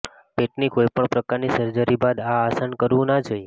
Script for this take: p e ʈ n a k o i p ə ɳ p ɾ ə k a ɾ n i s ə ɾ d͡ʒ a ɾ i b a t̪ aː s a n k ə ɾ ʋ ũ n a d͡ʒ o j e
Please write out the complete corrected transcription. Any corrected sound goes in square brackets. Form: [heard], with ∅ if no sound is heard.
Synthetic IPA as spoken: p e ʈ n [i] k o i p ə ɳ p ɾ ə k a ɾ n i s ə ɾ d͡ʒ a ɾ i b a [d̪] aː s a n k ə ɾ ʋ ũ n a d͡ʒ o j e